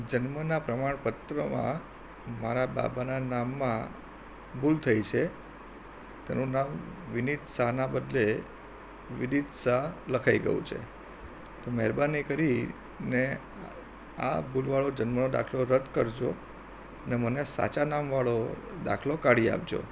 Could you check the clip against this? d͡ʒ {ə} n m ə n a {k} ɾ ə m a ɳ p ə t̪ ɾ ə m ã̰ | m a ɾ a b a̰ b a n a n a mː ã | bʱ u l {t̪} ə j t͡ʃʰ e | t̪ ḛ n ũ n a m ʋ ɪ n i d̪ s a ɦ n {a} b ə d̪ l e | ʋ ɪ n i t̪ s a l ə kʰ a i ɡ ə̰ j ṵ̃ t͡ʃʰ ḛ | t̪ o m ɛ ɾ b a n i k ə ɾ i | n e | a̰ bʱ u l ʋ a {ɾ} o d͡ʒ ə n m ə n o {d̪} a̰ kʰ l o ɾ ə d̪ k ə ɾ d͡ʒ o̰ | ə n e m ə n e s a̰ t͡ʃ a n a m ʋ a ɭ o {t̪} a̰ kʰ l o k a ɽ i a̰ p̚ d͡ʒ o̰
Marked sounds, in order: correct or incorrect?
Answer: correct, incorrect, incorrect, correct, incorrect, correct, incorrect

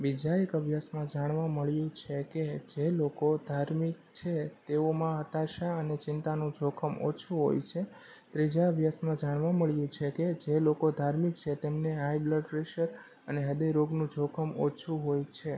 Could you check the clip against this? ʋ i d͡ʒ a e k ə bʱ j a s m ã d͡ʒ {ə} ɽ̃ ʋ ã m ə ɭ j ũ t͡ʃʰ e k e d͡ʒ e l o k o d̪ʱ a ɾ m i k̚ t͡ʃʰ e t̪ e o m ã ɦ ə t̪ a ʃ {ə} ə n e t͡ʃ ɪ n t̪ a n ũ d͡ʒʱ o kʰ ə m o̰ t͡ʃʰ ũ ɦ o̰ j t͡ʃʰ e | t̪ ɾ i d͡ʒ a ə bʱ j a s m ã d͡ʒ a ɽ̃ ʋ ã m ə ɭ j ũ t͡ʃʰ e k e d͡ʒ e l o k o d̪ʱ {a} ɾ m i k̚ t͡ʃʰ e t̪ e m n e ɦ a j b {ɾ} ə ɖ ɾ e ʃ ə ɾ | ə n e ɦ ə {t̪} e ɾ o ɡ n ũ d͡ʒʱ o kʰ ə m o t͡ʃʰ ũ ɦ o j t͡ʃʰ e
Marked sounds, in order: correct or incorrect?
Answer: incorrect, incorrect, correct, incorrect, incorrect

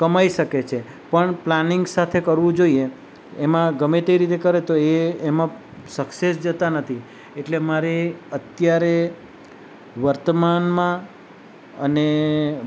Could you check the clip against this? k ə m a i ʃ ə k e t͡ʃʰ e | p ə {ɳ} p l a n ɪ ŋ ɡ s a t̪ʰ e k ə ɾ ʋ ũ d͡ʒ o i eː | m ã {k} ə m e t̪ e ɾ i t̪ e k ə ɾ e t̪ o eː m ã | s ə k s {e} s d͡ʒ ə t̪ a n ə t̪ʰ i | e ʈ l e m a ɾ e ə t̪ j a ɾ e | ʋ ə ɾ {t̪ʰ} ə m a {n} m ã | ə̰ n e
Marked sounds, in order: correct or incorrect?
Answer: correct, incorrect, correct, incorrect, correct

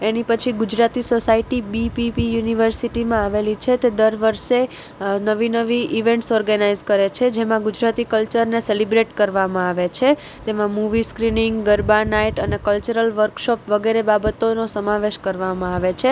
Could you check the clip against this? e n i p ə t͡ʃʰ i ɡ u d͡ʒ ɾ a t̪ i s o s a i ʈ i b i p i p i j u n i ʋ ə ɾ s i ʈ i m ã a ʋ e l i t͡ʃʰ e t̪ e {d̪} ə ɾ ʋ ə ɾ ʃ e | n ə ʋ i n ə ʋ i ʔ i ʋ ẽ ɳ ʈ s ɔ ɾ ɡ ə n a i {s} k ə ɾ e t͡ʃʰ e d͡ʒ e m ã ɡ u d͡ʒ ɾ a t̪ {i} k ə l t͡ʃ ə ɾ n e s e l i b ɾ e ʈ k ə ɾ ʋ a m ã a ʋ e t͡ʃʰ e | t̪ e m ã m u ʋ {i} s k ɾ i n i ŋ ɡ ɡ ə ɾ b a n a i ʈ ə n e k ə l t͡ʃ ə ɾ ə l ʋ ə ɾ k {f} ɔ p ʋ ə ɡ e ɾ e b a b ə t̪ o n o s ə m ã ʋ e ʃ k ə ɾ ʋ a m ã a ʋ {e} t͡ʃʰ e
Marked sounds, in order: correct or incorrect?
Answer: correct, incorrect, correct, correct, incorrect, correct

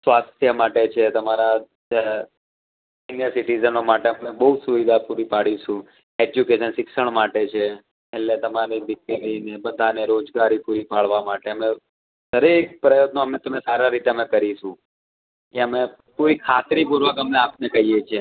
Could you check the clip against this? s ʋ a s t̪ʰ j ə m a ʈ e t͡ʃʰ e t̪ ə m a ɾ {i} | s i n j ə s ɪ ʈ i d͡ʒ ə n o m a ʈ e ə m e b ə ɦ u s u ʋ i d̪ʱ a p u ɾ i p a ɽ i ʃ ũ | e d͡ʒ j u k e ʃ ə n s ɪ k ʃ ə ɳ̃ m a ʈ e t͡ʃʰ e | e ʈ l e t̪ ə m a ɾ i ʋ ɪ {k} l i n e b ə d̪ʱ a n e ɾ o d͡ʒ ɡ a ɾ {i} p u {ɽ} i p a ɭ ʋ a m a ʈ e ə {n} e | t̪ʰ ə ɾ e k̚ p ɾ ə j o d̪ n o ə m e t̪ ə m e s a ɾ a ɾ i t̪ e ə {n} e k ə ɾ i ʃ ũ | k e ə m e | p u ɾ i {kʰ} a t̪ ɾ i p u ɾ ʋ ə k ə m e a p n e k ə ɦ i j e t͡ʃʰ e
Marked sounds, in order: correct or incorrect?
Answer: incorrect, correct, correct, incorrect, incorrect, incorrect, correct

